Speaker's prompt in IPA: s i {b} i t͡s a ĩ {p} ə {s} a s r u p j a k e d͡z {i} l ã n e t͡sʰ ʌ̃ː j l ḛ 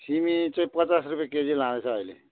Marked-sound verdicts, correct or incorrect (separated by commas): incorrect, correct, incorrect, correct